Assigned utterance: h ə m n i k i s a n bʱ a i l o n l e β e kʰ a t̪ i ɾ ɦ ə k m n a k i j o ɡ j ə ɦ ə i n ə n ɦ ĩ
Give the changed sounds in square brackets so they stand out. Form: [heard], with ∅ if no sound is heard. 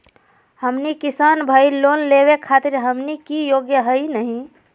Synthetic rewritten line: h ə m n i k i s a n bʱ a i l o n l e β e kʰ a t̪ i ɾ ɦ ə [∅] m n [i] k i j o ɡ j ə ɦ ə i n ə [∅] ɦ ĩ